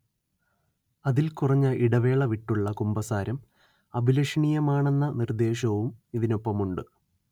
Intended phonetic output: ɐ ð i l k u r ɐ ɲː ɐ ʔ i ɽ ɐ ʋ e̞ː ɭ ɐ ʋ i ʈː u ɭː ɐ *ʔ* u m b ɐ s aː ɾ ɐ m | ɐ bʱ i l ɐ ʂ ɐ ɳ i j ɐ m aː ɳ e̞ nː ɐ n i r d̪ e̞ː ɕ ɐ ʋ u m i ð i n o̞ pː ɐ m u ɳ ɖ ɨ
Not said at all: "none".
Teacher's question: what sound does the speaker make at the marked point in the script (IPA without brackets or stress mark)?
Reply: k